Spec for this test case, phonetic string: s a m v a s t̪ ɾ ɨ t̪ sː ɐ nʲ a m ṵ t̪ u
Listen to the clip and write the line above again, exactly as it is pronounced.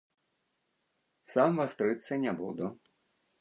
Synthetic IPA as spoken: s a m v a s t̪ ɾ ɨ t̪ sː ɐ nʲ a b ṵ d̪ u